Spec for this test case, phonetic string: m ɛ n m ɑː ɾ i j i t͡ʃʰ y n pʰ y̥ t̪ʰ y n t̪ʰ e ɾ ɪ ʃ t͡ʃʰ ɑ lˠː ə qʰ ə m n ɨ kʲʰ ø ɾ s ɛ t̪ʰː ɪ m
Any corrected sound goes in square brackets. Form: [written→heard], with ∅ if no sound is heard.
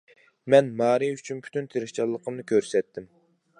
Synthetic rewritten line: m ɛ n m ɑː ɾ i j [i→y] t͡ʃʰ y n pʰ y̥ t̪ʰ y n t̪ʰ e ɾ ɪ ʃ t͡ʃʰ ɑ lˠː ə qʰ ə m n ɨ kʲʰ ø ɾ s ɛ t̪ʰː ɪ m